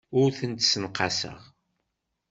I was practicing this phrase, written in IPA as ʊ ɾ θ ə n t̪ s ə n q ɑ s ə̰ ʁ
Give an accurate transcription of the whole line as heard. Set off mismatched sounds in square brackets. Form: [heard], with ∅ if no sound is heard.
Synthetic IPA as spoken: ʊ ɾ θ ə n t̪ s ə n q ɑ s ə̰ ʁ

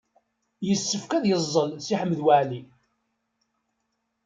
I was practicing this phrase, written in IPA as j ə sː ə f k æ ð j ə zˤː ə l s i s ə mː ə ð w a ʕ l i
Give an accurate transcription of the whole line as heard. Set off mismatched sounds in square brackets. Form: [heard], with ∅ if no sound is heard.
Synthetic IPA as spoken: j ə sː ə f k æ ð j ə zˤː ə l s i [ħ] ə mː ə ð w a ʕ l i

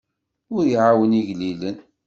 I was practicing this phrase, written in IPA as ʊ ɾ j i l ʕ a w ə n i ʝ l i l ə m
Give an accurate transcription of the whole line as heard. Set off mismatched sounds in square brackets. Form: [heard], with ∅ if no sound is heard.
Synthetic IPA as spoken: ʊ ɾ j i [∅] ʕ a w ə n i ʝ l i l ə [n]

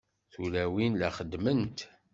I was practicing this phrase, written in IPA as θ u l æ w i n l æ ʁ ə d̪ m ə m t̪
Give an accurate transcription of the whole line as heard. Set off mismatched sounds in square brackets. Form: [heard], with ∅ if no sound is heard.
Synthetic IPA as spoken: θ u l æ w i n l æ [χ] ə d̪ m ə [n] t̪

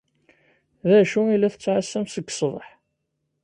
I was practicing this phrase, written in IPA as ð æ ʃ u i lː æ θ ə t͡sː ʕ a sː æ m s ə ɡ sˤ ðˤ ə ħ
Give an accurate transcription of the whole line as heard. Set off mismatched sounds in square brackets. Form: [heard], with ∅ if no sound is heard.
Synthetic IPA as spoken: ð æ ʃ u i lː æ θ ə t͡sː ʕ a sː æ m s ə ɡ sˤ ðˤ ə ħ

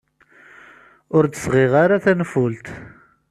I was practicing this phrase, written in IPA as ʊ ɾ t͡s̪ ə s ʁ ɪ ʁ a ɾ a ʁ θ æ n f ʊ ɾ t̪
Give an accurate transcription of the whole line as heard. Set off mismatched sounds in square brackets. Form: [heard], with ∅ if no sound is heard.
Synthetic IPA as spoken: ʊ ɾ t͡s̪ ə s ʁ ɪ ʁ a ɾ a [∅] θ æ n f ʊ [l] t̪

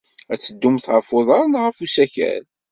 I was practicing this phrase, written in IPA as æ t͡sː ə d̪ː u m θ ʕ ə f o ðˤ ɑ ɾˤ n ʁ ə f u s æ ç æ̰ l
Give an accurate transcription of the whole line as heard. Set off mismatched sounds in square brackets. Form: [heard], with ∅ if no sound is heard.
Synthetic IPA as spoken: æ t͡sː ə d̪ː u m θ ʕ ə f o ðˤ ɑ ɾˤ n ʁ ə f u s æ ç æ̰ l

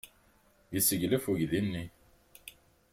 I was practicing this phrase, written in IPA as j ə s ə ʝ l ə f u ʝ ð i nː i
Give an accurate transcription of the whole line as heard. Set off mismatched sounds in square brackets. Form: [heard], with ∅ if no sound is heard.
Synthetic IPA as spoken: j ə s ə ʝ l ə f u ʝ ð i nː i

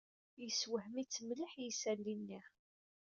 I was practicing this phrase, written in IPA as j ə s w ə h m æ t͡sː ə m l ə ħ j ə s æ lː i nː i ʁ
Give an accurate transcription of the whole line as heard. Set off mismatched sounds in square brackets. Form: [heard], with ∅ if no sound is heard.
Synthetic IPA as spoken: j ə s w ə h m [i] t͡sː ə m l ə ħ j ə s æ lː i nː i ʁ

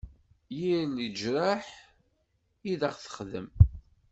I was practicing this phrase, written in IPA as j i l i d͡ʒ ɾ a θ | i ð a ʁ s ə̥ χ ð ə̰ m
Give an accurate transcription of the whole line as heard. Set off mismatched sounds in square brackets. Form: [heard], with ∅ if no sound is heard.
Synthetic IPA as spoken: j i l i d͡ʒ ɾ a [ħ] | i ð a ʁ [θ] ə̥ χ ð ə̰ m

